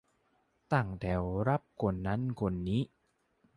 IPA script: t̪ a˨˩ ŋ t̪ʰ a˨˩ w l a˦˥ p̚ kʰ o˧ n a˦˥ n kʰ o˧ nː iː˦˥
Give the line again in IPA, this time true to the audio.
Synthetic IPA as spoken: t̪ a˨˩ ŋ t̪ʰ ɛ˨˩ w ɾ a˦˥ p̚ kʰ o˧ nː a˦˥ n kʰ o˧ nː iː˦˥